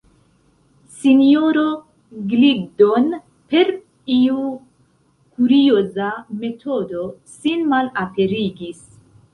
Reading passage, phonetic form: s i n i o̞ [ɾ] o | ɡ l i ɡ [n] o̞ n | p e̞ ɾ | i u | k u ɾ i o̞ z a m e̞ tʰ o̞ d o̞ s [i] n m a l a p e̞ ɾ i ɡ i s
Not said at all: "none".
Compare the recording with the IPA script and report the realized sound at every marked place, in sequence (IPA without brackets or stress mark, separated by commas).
ɾ, d, i